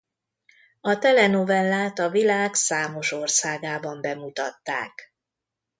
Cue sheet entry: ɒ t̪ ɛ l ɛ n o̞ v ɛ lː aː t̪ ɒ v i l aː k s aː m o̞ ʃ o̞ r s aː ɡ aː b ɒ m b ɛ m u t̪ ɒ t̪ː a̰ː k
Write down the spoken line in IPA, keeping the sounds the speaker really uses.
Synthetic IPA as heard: ɒ t̪ ɛ l ɛ n o̞ v ɛ lː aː t̪ ɒ v i l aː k s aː m o̞ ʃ o̞ r s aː ɡ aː b ɒ m b ɛ m u t̪ ɒ t̪ː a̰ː k